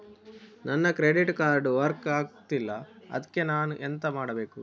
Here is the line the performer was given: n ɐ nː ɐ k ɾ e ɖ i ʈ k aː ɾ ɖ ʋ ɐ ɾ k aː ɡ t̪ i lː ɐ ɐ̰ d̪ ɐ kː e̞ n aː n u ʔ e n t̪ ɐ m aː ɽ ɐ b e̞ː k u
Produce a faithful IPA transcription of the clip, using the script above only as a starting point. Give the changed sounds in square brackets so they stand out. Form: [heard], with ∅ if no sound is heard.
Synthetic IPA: n ɐ nː ɐ k ɾ e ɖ i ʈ k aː ɾ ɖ ʋ ɐ ɾ k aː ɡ t̪ i lː ɐ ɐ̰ d̪ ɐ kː e̞ n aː n u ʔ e n t̪ ɐ m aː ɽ ɐ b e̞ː k u